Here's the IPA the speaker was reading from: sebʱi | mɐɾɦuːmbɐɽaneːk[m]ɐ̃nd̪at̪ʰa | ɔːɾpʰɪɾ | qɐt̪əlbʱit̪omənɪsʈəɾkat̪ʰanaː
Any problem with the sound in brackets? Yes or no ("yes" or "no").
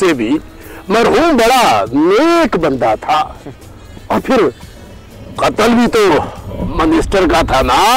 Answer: yes